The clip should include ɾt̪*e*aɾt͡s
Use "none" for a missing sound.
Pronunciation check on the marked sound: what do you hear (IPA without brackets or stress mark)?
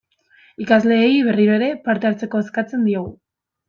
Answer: e